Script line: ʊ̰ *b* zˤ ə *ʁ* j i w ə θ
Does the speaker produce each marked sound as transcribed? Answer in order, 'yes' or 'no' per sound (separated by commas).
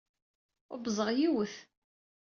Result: yes, yes